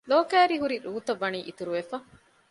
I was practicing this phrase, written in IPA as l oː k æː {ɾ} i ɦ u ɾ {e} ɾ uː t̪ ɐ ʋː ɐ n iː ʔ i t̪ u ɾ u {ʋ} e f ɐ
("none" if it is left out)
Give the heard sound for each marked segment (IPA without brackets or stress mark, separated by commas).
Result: ɾ, i, ʋ